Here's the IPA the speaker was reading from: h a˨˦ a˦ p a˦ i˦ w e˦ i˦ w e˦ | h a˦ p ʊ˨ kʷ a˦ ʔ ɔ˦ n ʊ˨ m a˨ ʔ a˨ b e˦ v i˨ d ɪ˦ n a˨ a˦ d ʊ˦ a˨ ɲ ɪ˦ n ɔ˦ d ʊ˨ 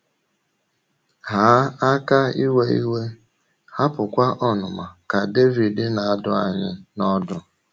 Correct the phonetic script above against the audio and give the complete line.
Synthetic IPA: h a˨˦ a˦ k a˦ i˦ w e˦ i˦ w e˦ | h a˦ p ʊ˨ kʷ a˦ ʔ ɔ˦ n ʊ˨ m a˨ k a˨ d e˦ v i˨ d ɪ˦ n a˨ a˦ d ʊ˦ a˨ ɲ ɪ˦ n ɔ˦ d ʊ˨

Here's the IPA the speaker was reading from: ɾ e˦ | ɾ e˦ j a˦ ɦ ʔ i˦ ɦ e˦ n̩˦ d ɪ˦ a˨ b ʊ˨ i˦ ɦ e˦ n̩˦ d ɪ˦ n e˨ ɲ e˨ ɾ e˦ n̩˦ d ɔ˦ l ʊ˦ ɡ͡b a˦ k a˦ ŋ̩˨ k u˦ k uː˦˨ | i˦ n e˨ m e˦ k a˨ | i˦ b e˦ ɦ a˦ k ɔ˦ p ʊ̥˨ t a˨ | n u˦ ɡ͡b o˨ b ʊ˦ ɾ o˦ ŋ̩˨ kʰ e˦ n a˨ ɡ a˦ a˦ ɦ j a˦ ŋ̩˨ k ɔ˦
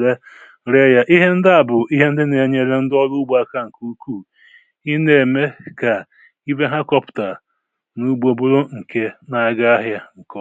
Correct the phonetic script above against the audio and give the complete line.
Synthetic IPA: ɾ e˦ | ɾ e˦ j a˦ ʔ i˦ ɦ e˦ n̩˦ d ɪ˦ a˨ b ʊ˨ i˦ ɦ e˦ n̩˦ d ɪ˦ n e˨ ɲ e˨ ɾ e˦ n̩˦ d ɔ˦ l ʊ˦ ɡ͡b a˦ k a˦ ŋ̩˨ k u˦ k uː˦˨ | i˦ n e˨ m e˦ k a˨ | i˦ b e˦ ɦ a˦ k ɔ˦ p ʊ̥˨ t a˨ | n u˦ ɡ͡b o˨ b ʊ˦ ɾ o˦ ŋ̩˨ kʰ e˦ n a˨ ɡ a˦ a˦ ɦ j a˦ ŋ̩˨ k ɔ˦

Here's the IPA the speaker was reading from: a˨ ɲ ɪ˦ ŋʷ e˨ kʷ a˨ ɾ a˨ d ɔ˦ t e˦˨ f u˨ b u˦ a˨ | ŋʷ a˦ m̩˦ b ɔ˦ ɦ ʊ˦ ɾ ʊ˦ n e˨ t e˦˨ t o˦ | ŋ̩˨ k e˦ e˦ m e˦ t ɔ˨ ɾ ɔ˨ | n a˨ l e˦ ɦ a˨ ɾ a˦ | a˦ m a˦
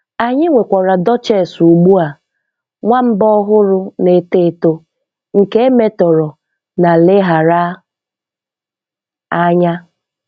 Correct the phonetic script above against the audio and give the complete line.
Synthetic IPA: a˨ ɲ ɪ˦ ŋʷ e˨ kʷ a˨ ɾ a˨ d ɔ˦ t͡ʃ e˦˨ s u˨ ɡ͡b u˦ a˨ | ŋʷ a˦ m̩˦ b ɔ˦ ɦ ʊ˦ ɾ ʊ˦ n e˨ t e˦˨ t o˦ | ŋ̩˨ k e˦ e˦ m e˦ t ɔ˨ ɾ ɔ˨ | n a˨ l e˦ ɦ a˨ ɾ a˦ | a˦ ɲ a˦

